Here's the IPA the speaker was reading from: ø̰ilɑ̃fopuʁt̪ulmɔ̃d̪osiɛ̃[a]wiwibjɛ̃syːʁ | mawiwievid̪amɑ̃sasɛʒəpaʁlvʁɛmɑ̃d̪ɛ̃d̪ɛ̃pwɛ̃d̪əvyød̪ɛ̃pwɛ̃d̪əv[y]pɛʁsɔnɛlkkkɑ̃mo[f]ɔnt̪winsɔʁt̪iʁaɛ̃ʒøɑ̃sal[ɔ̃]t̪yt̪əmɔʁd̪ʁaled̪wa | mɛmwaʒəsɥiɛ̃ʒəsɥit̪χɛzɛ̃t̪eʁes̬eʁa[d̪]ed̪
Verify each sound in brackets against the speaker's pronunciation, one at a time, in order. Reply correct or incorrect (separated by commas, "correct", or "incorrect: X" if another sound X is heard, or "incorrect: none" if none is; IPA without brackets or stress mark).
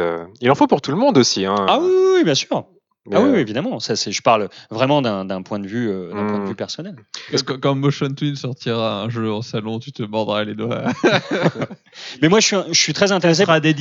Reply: correct, correct, incorrect: ʃ, correct, correct